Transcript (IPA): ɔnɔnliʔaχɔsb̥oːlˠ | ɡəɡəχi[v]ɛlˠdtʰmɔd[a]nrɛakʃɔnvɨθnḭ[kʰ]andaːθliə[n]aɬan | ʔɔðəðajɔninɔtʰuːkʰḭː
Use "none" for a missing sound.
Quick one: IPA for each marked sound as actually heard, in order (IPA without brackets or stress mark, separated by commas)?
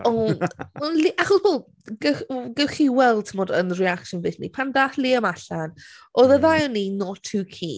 w, ə, pʰ, m